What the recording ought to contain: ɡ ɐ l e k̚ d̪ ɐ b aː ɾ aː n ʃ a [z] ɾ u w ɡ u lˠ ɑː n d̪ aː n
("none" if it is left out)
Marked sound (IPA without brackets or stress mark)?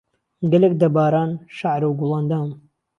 ʕ